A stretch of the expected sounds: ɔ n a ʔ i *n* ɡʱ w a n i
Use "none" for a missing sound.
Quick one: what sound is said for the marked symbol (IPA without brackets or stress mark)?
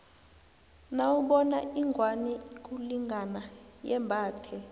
ŋ